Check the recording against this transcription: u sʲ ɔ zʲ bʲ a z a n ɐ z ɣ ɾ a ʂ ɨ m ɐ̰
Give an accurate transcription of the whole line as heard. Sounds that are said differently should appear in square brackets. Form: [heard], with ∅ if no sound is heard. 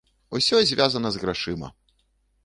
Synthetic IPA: u sʲ ɔ zʲ [vʲ] a z [ɐ] n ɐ z ɣ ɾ a ʂ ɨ m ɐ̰